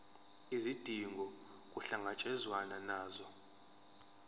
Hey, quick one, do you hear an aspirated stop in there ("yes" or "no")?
no